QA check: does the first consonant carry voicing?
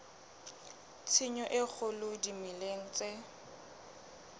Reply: no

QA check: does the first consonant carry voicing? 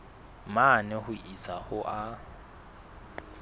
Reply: yes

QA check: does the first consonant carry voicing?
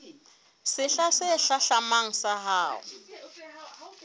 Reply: no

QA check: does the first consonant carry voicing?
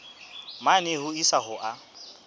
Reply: yes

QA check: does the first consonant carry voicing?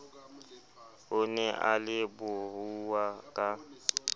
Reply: yes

